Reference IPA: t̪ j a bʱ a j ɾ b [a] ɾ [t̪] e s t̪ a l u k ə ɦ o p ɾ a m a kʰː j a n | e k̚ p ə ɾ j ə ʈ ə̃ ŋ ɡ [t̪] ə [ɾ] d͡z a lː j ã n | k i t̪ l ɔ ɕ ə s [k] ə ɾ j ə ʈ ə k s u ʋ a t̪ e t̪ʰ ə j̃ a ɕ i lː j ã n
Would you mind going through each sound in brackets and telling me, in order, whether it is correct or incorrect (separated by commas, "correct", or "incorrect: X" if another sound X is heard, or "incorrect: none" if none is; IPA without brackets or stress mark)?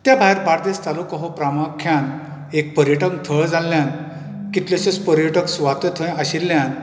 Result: correct, incorrect: d̪, incorrect: t̪ʰ, incorrect: ɭ, incorrect: p